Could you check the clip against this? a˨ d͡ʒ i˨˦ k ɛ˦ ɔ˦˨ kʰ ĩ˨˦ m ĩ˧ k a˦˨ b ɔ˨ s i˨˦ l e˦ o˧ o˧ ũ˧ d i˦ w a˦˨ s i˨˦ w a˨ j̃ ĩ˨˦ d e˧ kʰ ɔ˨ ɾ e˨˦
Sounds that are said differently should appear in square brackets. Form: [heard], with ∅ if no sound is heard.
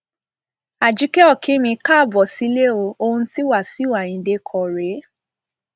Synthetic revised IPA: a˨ d͡ʒ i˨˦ k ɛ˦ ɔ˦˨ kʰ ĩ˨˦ m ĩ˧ k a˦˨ b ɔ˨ s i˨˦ l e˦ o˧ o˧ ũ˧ [t] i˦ w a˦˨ s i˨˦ w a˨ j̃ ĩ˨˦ d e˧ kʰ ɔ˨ ɾ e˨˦